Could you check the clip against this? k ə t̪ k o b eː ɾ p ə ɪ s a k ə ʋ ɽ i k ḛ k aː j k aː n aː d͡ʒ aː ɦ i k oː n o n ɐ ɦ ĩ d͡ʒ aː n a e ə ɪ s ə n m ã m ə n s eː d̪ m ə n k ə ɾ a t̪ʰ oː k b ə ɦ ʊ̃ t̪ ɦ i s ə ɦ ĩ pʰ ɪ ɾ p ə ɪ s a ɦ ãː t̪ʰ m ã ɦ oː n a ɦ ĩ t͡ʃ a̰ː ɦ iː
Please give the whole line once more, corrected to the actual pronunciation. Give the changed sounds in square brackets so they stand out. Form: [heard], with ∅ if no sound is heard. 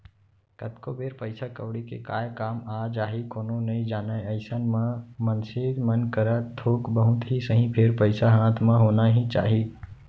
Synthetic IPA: k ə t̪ k o b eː ɾ p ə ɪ s a k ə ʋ ɽ i k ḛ k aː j k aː [m] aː d͡ʒ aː ɦ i k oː n o n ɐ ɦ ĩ d͡ʒ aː n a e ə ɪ s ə n m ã m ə n s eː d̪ m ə n k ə ɾ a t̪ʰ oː k b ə ɦ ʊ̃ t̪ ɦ i s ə ɦ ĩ pʰ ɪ ɾ p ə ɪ s a ɦ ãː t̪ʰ m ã ɦ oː n a ɦ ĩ t͡ʃ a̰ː ɦ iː